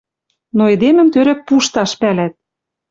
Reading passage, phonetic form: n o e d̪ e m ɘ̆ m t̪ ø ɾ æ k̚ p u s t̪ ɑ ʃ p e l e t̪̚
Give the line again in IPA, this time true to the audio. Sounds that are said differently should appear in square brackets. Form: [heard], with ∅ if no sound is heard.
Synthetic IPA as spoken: n o e d̪ e m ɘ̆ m t̪ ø ɾ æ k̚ p u [ʃ] t̪ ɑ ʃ p [æ] l [æ] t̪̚